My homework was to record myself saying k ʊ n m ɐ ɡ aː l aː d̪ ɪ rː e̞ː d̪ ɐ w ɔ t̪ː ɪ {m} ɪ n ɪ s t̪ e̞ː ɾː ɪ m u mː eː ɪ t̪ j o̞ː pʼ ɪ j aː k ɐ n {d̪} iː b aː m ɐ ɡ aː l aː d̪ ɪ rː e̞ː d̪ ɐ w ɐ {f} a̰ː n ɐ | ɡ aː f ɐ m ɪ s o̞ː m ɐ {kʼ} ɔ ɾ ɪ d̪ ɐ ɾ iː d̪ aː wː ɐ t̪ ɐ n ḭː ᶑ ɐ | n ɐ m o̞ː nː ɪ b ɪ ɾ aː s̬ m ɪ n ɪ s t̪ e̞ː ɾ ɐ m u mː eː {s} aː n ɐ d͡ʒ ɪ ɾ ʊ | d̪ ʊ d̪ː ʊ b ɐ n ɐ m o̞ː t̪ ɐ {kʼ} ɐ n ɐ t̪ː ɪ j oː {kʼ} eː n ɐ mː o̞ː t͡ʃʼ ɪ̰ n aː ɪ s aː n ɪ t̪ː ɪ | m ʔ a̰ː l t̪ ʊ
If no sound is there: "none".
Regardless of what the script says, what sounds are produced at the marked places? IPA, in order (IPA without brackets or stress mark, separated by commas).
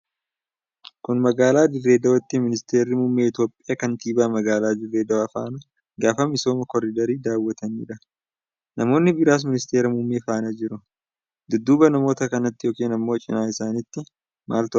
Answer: m, t̪, f, k, f, k, k